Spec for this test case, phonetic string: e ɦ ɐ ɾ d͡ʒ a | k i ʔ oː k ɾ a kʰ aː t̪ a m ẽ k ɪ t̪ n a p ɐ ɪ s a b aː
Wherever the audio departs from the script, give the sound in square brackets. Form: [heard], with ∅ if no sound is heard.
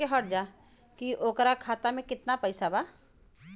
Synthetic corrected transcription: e ɦ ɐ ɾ d͡ʒ a | k i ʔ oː k ɾ a kʰ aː t̪ a m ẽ k ɪ t̪ n a p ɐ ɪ s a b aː